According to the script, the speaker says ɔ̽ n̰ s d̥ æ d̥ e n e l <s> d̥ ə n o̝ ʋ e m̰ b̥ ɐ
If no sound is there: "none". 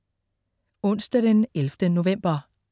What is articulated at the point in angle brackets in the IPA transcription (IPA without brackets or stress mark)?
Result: f